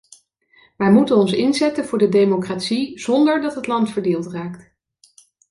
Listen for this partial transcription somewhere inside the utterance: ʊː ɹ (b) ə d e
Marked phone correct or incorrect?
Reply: incorrect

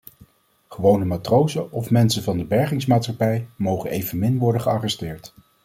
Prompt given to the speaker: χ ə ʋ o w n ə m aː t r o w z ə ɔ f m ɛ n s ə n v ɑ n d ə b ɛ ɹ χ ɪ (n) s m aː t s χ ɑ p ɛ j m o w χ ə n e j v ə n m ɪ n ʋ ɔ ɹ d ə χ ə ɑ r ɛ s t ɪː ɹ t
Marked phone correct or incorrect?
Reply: incorrect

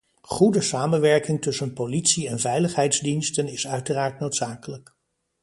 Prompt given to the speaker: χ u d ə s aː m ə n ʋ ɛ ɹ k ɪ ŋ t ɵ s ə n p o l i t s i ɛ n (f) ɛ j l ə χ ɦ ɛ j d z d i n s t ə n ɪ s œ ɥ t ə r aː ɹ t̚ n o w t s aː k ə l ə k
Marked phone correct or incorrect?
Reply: incorrect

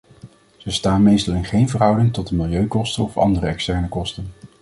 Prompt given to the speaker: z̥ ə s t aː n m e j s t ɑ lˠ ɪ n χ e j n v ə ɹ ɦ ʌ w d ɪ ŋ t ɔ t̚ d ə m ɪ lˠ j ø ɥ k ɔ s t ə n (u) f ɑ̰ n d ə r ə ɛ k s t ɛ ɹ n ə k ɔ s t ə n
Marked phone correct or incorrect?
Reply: incorrect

